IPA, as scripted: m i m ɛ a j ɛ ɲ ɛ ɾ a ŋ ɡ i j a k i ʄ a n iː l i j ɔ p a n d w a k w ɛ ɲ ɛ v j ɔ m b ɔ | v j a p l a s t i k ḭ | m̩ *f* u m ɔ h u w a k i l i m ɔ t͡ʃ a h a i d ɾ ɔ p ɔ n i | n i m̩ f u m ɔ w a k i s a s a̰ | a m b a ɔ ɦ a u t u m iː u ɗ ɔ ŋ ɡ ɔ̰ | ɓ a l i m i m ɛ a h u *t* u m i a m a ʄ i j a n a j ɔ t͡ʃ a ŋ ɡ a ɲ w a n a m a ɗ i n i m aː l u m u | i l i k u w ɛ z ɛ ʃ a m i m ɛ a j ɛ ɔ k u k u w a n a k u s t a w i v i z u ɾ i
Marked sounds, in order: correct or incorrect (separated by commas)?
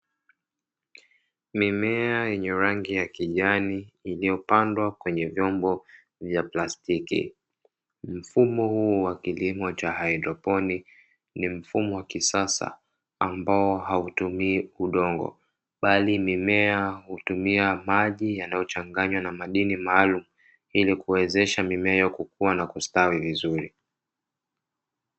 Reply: correct, correct